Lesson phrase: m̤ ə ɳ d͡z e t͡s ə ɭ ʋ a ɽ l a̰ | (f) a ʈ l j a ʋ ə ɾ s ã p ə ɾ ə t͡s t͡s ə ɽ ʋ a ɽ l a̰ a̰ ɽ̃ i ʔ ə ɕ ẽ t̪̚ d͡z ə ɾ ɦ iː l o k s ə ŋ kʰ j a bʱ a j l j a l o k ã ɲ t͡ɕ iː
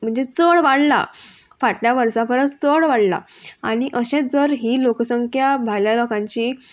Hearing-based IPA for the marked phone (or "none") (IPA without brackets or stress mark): f